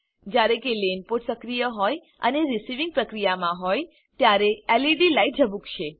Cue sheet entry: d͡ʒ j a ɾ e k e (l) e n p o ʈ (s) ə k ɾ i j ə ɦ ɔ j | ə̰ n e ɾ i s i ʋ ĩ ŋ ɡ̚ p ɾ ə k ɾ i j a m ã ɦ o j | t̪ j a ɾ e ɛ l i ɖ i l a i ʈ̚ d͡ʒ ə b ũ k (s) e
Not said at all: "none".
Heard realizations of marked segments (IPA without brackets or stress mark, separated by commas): l, s, ʃ